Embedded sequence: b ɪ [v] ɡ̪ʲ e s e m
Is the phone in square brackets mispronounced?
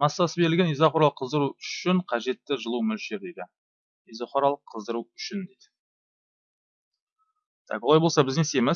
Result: yes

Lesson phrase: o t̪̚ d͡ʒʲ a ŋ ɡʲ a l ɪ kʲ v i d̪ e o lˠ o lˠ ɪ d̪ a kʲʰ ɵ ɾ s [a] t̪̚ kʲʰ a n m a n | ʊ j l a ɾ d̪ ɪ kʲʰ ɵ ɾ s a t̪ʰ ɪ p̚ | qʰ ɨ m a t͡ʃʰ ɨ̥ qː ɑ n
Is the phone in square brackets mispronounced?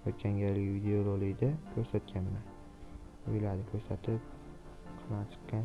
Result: no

